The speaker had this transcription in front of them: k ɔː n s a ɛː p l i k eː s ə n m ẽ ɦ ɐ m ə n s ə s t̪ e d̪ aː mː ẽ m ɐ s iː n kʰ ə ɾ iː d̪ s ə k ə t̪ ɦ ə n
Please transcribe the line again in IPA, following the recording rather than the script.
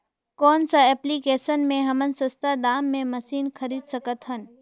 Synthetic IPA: k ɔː n s a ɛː p l i k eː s ə n m ẽ ɦ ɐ m ə n s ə s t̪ a d̪ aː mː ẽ m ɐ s iː n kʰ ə ɾ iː d̪ s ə k ə t̪ ɦ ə n